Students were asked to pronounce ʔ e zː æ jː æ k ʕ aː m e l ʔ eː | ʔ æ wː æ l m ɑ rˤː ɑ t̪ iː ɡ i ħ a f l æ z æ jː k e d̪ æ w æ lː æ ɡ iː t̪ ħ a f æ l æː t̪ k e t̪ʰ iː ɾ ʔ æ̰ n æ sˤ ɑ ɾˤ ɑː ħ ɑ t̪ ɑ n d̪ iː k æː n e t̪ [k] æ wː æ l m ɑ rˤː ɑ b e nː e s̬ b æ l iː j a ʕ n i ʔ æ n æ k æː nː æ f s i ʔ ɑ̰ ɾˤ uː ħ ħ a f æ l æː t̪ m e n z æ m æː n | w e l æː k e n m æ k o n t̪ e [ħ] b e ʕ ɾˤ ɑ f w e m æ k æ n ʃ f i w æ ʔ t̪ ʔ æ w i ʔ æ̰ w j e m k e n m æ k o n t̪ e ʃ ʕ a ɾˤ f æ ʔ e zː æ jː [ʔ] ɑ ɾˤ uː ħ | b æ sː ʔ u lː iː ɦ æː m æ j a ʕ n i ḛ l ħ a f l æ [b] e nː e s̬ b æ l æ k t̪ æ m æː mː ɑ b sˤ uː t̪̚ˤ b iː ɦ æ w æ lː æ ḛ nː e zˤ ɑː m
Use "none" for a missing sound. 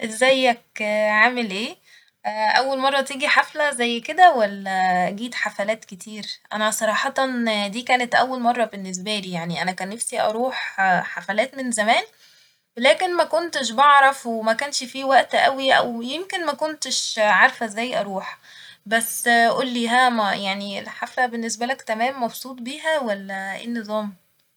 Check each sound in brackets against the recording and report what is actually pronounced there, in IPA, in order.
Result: ʔ, ʃ, ʔ, b

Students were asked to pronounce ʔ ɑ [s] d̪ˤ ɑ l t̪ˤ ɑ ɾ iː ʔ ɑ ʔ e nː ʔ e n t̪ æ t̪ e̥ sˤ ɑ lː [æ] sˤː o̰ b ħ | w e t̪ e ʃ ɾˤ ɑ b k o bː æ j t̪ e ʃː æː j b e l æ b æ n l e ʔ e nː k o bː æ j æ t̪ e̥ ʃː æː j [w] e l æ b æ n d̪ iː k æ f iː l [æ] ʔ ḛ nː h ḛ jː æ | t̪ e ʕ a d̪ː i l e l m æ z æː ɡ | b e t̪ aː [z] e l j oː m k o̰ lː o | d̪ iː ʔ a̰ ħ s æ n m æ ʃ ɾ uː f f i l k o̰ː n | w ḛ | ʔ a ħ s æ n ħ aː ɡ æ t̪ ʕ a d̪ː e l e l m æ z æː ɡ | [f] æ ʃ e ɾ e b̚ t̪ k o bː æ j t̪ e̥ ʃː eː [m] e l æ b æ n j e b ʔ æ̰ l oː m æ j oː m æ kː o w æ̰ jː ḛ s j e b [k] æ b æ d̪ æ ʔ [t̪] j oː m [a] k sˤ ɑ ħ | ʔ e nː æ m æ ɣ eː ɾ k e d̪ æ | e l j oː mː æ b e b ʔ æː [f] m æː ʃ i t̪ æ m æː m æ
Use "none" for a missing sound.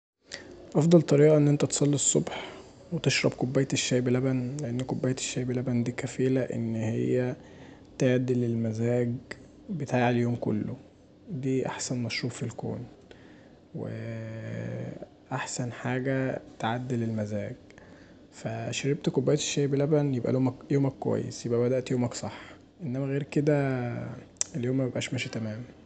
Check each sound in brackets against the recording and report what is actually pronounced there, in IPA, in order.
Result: f, i, b, æ, ʕ, f, b, ʔ, t̪, æ, ʃ

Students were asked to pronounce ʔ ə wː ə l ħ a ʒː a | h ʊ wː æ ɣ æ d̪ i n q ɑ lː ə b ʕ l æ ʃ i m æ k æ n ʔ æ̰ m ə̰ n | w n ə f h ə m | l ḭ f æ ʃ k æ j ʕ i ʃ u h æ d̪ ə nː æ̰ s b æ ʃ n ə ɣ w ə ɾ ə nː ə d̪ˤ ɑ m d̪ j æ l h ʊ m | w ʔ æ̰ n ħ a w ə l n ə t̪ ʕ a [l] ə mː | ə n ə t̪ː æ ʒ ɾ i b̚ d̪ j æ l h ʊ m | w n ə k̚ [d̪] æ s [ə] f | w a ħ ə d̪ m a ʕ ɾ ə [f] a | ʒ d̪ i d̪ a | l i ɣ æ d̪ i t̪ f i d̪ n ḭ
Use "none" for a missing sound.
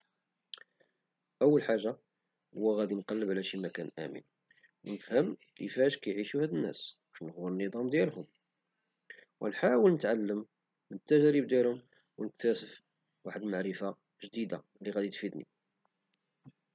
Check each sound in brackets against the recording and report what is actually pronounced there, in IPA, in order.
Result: lː, t̪, ə, f

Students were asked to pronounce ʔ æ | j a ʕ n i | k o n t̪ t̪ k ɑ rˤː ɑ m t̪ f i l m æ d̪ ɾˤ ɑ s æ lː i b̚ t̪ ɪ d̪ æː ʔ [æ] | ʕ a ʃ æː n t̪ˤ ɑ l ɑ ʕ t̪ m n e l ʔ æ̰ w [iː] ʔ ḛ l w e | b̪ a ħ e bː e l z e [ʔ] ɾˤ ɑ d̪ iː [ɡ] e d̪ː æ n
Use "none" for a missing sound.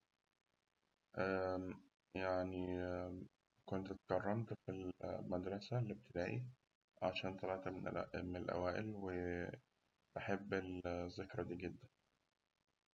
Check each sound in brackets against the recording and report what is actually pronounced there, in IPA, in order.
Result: i, æː, k, ɡ

